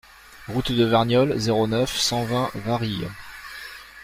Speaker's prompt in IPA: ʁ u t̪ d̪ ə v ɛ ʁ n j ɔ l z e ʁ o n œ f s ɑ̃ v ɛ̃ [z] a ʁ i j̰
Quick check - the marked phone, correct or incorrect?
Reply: incorrect